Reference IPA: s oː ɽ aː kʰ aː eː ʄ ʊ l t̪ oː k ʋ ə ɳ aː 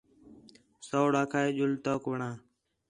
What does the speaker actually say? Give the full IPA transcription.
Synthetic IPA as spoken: s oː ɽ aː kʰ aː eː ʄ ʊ l t̪ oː k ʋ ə ɳ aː